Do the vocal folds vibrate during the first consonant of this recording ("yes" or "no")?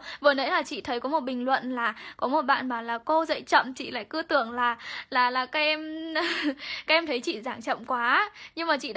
yes